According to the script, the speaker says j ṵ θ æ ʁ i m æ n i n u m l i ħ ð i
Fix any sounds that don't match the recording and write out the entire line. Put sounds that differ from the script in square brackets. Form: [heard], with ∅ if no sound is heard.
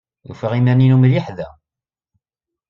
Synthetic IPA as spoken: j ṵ [f] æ ʁ i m æ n i n u m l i ħ ð [æ]